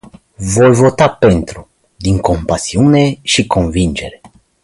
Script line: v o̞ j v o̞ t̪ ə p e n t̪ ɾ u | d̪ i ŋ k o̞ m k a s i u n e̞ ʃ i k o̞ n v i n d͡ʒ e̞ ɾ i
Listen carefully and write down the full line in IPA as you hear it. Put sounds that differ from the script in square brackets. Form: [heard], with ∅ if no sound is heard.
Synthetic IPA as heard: v o̞ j v o̞ t̪ [a] p e n t̪ ɾ u | d̪ i ŋ k o̞ m [p] a s i u n e̞ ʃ i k o̞ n v i n d͡ʒ e̞ ɾ [e]